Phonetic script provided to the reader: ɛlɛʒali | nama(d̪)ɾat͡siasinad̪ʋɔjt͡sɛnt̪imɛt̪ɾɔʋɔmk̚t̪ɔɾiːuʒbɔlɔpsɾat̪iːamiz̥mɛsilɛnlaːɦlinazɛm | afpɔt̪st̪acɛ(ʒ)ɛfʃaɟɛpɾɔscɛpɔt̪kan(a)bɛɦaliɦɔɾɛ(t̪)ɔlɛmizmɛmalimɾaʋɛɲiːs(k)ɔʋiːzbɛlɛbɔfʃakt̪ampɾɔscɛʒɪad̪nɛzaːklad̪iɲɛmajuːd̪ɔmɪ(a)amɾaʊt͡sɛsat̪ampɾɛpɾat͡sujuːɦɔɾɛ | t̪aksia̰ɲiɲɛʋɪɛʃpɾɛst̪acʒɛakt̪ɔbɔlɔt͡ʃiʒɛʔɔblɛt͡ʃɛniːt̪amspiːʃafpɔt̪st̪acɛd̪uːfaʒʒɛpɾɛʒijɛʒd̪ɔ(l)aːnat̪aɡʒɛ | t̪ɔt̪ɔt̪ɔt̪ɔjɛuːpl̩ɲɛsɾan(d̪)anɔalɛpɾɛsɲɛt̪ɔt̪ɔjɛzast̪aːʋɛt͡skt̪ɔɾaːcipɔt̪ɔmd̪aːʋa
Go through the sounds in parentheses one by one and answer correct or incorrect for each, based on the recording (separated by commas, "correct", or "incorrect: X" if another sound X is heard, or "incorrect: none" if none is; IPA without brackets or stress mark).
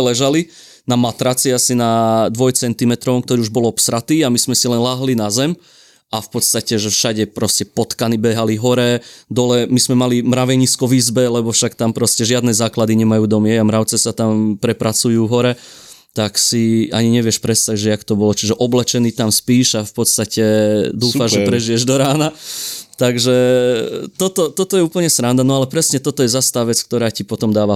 incorrect: t̪, correct, incorrect: i, incorrect: d̪, correct, incorrect: ɛ, incorrect: ɾ, correct